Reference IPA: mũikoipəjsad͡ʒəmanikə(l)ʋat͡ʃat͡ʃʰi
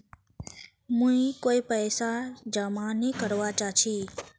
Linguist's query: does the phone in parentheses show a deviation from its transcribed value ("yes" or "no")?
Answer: yes